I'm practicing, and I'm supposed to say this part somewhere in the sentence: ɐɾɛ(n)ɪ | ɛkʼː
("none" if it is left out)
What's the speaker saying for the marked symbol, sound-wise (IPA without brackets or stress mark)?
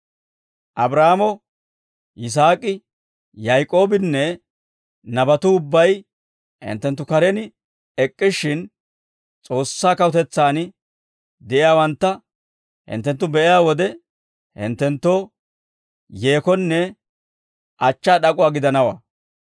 n